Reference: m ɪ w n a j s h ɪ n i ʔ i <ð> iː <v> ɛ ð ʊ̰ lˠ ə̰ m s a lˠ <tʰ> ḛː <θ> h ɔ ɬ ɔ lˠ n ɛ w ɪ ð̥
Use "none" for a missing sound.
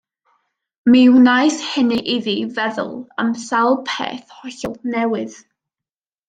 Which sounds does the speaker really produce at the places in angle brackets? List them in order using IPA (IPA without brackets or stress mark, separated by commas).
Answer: ð, v, pʰ, θ